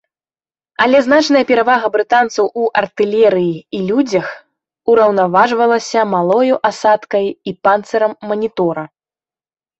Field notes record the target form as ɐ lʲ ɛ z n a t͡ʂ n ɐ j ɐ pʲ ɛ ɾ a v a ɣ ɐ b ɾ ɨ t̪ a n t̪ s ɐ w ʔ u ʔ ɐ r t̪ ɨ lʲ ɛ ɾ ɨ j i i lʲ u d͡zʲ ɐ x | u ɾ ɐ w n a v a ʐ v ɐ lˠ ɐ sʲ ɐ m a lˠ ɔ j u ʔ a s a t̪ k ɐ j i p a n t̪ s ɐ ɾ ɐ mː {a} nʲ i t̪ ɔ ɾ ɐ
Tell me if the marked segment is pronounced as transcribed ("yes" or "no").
no